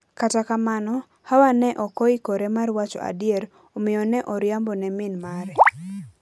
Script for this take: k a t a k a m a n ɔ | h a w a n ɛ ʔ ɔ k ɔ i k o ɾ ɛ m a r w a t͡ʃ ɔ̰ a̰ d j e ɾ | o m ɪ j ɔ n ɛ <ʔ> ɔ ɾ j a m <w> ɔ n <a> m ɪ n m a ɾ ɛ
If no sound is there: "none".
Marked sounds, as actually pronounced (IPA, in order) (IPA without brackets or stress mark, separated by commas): ʔ, b, ɛ